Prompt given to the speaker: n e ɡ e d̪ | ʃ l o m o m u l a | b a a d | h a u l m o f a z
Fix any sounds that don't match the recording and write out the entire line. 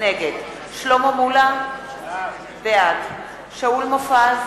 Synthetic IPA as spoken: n e ɡ e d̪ | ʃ l o m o m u l a | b e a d | ʃ a u l m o f a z